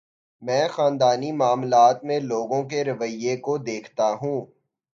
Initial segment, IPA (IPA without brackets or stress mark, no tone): m